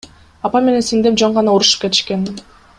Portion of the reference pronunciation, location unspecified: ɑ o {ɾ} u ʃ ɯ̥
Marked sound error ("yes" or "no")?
no